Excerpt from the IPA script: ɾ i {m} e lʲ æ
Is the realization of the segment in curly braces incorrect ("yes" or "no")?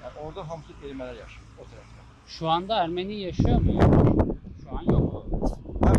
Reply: no